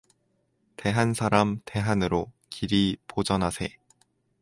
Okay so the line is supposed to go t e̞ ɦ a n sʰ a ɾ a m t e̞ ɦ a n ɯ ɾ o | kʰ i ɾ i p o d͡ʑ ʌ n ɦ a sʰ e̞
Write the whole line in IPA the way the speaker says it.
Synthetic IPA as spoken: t e̞ ɦ a n sʰ a ɾ a m t e̞ ɦ a n ɯ ɾ o | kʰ i ɾ i p o d͡ʑ ʌ n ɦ a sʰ e̞